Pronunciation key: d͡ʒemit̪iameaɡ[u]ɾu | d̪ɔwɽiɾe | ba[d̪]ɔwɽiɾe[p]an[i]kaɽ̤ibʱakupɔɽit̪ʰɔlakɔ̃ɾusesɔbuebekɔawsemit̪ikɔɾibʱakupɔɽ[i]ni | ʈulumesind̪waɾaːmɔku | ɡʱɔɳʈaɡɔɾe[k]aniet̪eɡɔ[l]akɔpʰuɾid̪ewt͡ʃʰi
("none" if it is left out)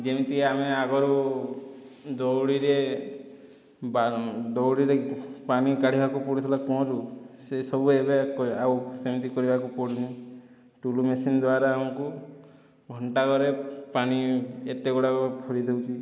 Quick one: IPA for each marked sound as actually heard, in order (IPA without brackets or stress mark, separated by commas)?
ɔ, d̪, p, i, i, p, ɽ